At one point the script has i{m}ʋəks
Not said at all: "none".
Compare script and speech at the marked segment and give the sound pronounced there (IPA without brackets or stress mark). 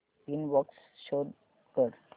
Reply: n